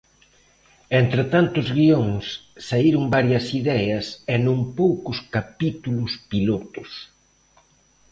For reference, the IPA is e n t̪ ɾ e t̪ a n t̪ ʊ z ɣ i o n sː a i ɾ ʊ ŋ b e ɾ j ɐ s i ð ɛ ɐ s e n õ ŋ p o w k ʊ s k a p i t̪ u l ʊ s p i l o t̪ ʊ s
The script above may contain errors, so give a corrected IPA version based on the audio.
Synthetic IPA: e n t̪ ɾ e t̪ a n t̪ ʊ z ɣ i o ŋ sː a i ɾ ʊ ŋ b a ɾ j ɐ s i ð ɛ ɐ s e n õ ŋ p o w k ʊ s k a p i t̪ u l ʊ s p i l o t̪ ʊ s